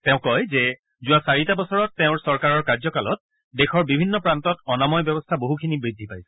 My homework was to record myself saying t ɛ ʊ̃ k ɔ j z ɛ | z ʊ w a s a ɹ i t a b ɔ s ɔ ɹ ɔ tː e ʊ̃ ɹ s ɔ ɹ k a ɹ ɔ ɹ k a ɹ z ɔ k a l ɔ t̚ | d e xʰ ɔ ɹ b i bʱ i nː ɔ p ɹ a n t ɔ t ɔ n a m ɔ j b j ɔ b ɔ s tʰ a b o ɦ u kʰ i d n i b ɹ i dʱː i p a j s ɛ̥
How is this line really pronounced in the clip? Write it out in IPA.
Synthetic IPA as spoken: t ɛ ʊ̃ k ɔ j z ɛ | z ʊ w a s a ɹ i t a b ɔ s ɔ ɹ ɔ tː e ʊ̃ ɹ s ɔ ɹ k a ɹ ɔ ɹ k a ɹ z ɔ k a l ɔ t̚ | d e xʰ ɔ ɹ b i bʱ i nː ɔ p ɹ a n t ɔ t ɔ n a m ɔ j b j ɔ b ɔ s tʰ a b o ɦ u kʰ i n i b ɹ i dʱː i p a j s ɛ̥